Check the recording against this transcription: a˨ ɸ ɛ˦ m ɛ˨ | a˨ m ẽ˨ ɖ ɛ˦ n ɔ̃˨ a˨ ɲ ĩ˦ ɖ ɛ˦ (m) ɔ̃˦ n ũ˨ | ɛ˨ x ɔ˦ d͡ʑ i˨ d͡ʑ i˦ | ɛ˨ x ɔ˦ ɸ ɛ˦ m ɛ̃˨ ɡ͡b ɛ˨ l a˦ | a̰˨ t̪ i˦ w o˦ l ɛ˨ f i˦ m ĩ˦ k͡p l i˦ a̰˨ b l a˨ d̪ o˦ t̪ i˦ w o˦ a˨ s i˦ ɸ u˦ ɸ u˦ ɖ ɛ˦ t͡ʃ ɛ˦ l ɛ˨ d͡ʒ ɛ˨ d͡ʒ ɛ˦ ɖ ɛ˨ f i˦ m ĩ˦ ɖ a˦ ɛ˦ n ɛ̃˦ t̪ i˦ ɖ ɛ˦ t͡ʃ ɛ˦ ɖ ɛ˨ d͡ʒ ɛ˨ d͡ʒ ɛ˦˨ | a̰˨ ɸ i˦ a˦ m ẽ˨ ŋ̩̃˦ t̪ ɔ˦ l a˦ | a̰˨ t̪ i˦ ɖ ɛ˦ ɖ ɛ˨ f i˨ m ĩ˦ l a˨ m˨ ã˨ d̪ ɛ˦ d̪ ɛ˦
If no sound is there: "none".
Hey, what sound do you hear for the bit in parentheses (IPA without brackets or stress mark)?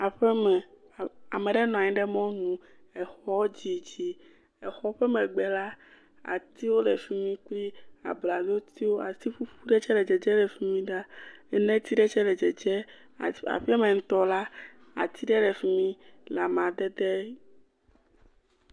m